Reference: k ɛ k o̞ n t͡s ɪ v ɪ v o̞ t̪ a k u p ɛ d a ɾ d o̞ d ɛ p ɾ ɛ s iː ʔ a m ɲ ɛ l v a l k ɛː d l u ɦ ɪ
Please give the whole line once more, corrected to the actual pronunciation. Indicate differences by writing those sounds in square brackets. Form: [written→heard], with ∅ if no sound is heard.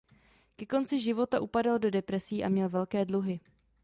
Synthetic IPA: k ɛ k o̞ n t͡s ɪ [v→ʒ] ɪ v o̞ t̪ a [k→ʔ] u p [ɛ→a] d a [ɾ→l] d o̞ d ɛ p ɾ ɛ s iː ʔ a m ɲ ɛ l v [a→ɛ] l k ɛː d l u ɦ ɪ